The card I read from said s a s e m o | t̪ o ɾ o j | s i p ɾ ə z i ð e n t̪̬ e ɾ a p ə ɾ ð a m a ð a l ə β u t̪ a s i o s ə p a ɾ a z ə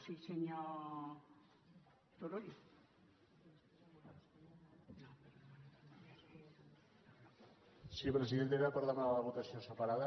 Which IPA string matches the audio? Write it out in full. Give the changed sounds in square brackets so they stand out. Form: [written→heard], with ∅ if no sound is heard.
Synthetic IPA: s [a→i] s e [m→ɲ] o | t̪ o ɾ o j | s i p ɾ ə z i ð e n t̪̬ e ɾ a p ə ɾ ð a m a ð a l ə β u t̪ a s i o s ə p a ɾ a [z→ð] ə